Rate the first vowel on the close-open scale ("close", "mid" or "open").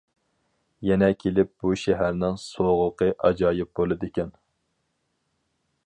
mid